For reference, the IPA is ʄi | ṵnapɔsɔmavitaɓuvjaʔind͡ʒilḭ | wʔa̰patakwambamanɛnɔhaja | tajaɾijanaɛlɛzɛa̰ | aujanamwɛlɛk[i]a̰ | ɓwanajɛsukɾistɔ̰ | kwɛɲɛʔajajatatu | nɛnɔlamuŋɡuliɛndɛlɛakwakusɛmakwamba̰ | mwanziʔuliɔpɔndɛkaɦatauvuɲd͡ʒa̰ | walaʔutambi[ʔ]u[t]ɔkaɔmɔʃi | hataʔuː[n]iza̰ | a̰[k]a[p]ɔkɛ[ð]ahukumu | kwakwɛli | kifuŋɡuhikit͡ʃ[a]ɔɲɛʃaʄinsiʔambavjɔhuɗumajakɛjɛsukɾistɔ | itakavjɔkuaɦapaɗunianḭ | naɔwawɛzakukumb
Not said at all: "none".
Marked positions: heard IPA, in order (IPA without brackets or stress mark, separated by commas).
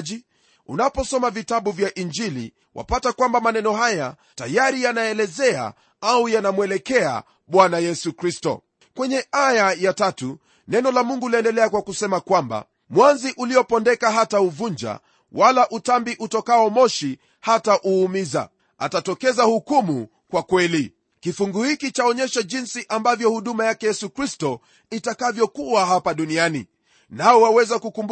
ɛ, ʔ, t, m, t, t, z, a